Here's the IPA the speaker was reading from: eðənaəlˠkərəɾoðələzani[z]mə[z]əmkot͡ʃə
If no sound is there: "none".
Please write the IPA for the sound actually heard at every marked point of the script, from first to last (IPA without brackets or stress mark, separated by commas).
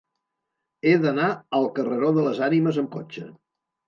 none, z